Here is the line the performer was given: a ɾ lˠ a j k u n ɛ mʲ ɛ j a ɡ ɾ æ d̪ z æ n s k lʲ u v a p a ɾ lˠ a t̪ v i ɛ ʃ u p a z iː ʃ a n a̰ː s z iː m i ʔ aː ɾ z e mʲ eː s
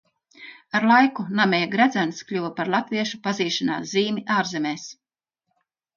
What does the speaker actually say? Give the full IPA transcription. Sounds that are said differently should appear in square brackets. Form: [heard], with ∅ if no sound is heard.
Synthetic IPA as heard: a ɾ lˠ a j k u n [a] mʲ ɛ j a ɡ ɾ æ d̪ z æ n s k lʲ u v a p a ɾ lˠ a t̪ v i ɛ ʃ u p a z iː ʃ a n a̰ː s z iː m i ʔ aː ɾ z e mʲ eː s

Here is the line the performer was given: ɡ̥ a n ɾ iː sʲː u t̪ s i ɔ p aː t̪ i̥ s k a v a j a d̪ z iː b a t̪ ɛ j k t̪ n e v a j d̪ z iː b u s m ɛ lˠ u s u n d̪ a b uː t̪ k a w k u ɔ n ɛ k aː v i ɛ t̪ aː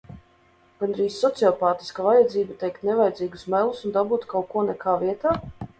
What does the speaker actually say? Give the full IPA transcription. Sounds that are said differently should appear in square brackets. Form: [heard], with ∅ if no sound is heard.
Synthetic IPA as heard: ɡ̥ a n ɾ iː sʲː [ɔ] t̪ s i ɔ p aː t̪ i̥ s k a v a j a d̪ z iː b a t̪ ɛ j k t̪ n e v a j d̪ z iː [ɡ] u s m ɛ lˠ u s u n d̪ a b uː t̪ k a w k u ɔ n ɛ k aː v i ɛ t̪ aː

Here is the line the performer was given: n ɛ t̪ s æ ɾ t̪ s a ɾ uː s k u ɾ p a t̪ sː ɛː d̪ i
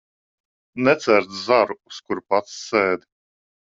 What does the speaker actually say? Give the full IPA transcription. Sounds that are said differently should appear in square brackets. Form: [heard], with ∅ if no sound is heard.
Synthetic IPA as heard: n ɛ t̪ s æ ɾ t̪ [z] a ɾ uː s k u ɾ p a t̪ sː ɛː d̪ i

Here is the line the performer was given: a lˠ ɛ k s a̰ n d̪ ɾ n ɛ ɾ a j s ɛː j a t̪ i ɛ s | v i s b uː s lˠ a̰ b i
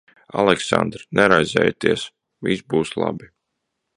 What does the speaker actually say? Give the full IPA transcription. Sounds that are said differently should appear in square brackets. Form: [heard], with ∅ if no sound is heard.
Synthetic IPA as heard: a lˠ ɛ k s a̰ n d̪ ɾ n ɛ ɾ a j [z] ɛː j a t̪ i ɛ s | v i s b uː s lˠ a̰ b i

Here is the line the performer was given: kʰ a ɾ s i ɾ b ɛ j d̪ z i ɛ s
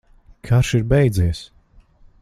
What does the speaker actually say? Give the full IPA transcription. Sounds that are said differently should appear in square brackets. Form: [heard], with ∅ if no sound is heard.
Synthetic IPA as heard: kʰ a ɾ [ʃ] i ɾ b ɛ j d̪ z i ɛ s

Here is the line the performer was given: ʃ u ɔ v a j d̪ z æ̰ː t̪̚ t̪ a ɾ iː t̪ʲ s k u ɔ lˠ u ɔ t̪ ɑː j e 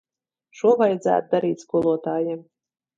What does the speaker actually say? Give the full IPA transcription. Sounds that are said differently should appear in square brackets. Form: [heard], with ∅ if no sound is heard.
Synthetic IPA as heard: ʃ u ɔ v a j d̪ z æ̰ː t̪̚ [d̪] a ɾ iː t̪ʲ s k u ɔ lˠ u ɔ t̪ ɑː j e

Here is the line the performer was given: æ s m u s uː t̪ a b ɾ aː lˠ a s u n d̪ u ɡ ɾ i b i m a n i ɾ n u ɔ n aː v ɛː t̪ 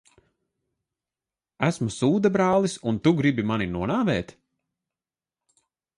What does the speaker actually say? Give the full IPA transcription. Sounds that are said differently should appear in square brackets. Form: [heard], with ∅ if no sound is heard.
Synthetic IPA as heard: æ s m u s uː [d̪] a b ɾ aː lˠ [i] s u n [t̪] u ɡ ɾ i b i m a n i [∅] n u ɔ n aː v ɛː t̪

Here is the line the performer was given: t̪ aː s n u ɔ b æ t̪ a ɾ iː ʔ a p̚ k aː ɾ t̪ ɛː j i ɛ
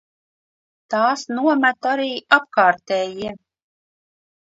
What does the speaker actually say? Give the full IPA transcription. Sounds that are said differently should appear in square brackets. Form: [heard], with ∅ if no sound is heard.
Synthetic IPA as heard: t̪ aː s n u ɔ [m] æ t̪ a ɾ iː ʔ a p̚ k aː ɾ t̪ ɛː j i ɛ

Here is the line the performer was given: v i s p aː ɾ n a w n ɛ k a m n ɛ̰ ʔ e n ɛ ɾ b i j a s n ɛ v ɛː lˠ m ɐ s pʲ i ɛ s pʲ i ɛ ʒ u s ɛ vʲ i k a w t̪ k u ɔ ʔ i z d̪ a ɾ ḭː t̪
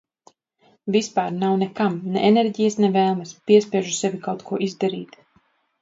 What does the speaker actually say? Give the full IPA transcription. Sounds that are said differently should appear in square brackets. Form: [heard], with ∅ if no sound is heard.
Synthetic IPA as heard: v i s p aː ɾ n a w n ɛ k a m n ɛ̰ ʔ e n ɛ ɾ [ɟ] i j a s n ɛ v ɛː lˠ m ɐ s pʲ i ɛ s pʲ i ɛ ʒ u s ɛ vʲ i k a w t̪ k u ɔ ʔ i z d̪ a ɾ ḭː t̪

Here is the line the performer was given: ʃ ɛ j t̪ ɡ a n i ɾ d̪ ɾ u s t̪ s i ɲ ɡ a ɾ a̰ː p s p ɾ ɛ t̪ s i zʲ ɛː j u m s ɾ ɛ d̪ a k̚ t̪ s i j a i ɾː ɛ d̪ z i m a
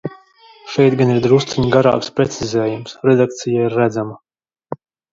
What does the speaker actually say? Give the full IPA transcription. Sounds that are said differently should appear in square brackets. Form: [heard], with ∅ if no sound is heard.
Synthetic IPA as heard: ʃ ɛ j t̪ ɡ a n i ɾ d̪ ɾ u s t̪ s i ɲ ɡ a ɾ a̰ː [k] s p ɾ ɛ t̪ s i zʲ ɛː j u m s ɾ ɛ d̪ a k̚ t̪ s i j a i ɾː [æ] d̪ z [a] m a

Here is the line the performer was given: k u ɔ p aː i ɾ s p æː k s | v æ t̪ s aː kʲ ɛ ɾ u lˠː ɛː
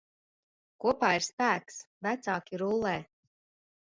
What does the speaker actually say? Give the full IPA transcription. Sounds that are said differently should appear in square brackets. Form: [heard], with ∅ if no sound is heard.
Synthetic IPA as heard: k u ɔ p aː i ɾ s p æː k s | v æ t̪ s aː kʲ [i] ɾ u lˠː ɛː

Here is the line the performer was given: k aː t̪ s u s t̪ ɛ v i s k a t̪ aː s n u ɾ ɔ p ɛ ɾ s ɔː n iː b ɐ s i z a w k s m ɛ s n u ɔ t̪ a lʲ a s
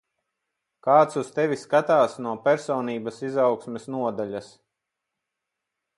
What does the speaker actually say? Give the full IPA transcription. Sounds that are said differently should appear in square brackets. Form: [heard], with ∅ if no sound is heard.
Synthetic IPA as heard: k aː t̪ s u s t̪ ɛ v i s k a t̪ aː s n u [∅] ɔ p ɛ ɾ s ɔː n iː b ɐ s i z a w k s m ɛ s n u ɔ [d̪] a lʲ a s

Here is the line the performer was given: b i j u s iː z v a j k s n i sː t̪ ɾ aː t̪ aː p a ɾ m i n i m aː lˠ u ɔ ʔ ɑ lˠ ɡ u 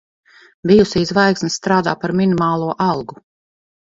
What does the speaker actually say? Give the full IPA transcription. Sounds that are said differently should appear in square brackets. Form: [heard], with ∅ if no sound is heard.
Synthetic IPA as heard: b i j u s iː z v a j k s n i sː t̪ ɾ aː [d̪] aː p a ɾ m i n i m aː lˠ u ɔ ʔ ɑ lˠ ɡ u

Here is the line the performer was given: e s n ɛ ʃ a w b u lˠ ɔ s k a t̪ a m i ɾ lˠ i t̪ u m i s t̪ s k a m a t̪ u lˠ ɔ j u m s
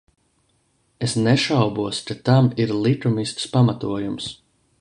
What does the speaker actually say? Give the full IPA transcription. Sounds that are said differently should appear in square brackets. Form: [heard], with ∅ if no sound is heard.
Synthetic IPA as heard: e s n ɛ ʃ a w b u [∅] ɔ s k a t̪ a m i ɾ lˠ i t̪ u m i s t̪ s [p] a m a t̪ u [∅] ɔ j u m s

